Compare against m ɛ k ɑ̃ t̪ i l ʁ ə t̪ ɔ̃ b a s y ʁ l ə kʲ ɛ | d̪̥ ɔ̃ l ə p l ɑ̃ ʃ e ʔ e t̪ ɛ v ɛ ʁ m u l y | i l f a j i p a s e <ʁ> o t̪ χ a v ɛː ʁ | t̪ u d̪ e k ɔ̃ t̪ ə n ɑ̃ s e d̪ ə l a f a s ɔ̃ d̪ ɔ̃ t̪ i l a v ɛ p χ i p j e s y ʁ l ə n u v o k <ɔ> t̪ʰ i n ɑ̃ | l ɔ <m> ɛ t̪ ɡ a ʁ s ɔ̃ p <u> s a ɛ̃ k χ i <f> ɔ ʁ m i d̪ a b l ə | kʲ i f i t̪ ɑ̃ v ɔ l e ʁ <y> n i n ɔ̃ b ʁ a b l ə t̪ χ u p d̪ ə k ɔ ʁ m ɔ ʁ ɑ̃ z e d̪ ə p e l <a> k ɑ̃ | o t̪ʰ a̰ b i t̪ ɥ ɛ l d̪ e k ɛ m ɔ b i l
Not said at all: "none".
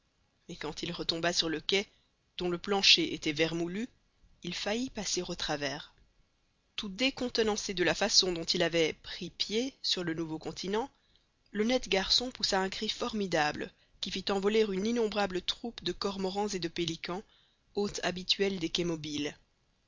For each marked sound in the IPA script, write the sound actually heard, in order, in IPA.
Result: ʁ, ɔ̃, n, u, f, y, i

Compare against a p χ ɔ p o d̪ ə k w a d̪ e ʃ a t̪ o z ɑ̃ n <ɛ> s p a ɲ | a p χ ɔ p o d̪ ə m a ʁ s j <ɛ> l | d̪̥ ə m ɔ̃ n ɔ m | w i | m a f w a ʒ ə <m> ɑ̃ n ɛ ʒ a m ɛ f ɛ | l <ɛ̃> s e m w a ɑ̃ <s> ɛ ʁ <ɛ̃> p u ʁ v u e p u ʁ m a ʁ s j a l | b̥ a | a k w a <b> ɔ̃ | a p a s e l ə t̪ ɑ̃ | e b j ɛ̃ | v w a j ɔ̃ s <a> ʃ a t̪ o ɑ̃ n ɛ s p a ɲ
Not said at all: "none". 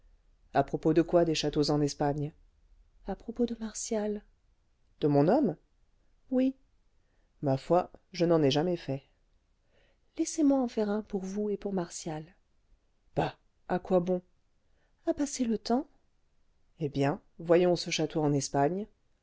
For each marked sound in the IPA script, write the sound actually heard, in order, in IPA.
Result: ɛ, a, n, ɛ, f, ɛ̃, b, ə

